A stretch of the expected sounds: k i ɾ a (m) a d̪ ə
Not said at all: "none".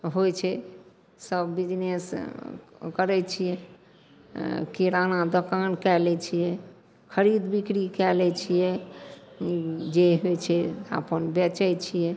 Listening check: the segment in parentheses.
n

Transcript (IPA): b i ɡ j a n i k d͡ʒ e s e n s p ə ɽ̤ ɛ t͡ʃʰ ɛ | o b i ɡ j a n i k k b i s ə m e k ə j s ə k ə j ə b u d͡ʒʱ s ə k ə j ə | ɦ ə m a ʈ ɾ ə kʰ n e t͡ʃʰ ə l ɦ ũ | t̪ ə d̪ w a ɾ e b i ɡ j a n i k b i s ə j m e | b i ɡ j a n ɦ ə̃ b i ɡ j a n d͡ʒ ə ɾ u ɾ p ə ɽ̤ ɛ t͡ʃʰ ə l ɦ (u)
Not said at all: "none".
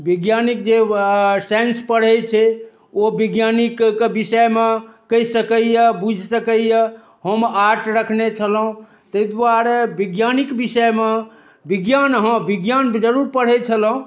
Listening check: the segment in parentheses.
ũ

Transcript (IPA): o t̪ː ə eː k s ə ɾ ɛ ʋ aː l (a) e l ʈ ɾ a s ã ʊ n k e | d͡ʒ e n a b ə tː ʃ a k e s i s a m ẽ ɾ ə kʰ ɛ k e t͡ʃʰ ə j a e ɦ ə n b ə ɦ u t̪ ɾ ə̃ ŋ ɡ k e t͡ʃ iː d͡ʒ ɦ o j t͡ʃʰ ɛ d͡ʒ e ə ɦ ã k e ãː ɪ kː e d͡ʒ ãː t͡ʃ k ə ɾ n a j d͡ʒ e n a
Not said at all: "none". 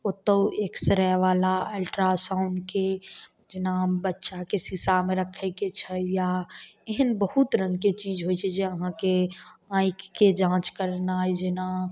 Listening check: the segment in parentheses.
a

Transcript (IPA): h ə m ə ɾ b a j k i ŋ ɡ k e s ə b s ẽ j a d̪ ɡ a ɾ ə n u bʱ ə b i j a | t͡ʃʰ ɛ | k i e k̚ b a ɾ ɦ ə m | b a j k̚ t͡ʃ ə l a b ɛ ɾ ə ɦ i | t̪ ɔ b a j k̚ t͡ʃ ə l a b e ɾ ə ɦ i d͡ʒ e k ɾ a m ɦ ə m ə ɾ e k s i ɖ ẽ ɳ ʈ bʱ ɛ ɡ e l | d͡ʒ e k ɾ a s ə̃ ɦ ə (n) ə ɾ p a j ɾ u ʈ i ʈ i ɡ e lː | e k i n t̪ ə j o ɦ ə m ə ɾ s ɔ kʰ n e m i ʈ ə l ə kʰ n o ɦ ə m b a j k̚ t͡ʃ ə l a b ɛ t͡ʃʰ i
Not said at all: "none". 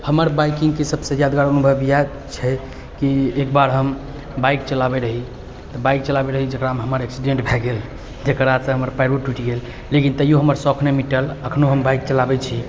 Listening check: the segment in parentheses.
m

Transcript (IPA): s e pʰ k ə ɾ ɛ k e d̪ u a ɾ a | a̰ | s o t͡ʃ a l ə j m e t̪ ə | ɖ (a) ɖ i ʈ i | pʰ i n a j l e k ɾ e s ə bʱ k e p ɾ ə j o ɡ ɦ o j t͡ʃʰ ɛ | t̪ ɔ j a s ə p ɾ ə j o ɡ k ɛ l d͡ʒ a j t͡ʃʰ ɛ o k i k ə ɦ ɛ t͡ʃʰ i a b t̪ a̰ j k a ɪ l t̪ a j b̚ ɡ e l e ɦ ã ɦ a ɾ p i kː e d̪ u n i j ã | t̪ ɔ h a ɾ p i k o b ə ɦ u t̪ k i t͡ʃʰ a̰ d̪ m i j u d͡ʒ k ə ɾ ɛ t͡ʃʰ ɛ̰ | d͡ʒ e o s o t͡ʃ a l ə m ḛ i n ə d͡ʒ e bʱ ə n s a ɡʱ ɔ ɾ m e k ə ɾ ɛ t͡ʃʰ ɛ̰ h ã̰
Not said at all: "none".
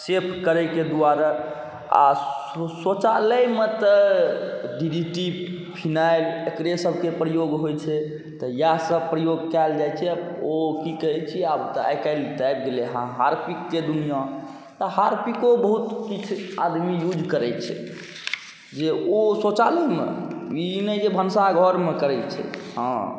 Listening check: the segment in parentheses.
i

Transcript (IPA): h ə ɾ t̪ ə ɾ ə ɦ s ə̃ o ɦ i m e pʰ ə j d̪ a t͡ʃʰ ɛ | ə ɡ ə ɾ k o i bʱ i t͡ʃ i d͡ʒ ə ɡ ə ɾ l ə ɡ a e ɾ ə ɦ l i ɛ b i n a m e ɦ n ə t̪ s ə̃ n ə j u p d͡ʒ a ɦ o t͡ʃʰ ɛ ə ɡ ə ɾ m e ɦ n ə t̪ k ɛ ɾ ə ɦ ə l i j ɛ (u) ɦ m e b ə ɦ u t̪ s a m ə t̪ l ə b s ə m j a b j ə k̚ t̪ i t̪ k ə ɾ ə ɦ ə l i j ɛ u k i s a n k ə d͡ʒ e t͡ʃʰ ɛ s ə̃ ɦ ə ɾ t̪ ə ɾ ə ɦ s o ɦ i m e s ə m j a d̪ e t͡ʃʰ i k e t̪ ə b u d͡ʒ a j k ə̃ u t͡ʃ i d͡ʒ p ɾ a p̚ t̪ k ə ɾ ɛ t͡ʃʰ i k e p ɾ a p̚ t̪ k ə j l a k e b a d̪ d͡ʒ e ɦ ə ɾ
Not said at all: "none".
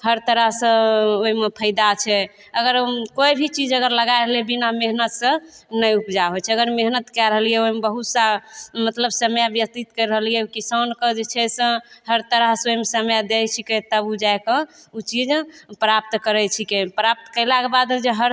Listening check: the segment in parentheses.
o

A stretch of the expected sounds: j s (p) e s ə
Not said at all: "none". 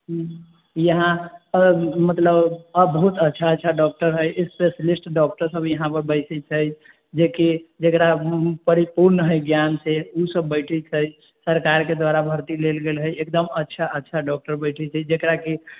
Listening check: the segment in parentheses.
p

